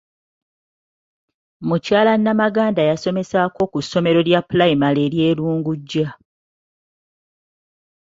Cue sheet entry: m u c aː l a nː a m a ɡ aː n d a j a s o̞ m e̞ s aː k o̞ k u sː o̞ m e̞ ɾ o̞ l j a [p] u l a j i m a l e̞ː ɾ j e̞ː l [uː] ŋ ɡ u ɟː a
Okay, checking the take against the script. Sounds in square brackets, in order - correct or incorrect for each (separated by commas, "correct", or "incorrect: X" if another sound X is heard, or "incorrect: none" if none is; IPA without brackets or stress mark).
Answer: correct, correct